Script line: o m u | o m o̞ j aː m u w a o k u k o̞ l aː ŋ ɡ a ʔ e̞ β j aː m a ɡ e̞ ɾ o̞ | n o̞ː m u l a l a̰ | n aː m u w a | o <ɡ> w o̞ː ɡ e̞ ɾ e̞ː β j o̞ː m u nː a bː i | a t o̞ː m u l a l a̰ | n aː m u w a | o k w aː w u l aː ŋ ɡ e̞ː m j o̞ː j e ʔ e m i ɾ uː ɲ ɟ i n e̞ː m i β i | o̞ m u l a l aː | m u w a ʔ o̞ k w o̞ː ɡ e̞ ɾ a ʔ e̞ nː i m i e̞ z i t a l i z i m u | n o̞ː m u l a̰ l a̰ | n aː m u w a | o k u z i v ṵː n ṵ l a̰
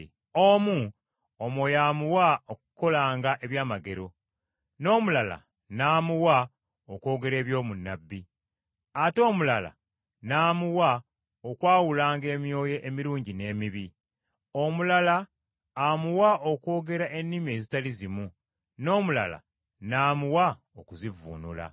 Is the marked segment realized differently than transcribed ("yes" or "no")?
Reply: yes